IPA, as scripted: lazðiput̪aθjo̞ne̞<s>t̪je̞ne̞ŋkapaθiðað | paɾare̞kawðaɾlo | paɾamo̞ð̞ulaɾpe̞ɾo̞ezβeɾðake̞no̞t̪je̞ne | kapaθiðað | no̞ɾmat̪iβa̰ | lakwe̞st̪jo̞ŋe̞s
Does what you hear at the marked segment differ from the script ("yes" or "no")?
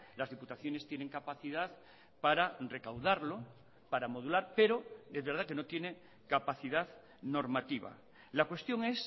no